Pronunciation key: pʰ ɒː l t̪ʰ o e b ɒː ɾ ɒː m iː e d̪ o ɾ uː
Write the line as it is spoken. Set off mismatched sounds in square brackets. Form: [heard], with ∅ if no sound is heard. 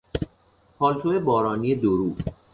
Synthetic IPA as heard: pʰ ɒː l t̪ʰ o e b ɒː ɾ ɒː [n] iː e d̪ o ɾ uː